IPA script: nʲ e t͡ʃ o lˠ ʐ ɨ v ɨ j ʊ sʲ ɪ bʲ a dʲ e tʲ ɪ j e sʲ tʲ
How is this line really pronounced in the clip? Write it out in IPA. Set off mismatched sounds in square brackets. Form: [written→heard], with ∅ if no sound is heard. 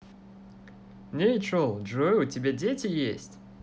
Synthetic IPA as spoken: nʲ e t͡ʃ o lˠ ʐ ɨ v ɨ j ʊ [sʲ→tʲ] ɪ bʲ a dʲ e tʲ ɪ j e sʲ tʲ